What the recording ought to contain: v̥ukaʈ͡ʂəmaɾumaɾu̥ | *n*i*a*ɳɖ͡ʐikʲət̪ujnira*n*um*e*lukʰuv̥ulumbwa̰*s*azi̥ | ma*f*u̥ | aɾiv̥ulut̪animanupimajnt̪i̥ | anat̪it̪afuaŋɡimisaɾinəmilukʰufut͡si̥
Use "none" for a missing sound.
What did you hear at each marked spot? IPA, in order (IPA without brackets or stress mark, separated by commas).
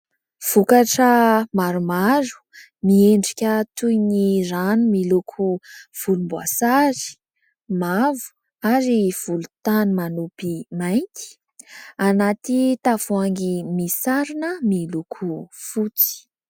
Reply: m, e, n, i, s, v